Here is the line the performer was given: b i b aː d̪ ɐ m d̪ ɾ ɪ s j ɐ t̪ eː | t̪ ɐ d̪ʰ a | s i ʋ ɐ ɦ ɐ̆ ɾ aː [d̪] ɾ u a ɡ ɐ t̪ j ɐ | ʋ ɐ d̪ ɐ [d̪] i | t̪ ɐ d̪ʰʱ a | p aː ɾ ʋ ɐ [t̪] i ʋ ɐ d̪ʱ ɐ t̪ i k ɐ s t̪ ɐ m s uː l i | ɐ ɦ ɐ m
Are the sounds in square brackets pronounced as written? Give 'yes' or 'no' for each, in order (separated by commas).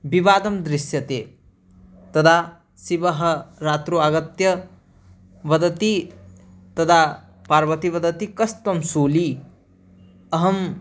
no, no, yes